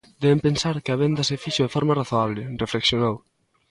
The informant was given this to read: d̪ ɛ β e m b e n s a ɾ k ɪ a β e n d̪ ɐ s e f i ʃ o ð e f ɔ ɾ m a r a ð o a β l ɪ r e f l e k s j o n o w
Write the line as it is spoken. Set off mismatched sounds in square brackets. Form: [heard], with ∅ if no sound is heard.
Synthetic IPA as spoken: d̪ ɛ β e m [p] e n s a ɾ k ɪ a β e n d̪ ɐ s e f i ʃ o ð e f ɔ ɾ m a r a [θ] o a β l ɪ r e f l e k s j o n o w